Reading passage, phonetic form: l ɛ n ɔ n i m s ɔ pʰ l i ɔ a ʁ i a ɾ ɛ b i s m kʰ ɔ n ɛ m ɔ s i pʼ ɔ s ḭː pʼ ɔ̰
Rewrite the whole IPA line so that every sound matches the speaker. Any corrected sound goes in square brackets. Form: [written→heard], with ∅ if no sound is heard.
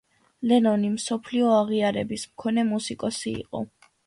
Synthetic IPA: l ɛ n ɔ n i m s ɔ pʰ l i ɔ a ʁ i a ɾ ɛ b i s m kʰ ɔ n ɛ m [ɔ→u] s i [pʼ→kʼ] ɔ s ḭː [pʼ→qʼ] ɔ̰